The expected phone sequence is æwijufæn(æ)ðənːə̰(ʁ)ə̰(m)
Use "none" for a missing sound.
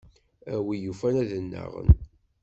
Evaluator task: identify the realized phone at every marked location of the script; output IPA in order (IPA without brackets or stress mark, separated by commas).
æ, ʁ, n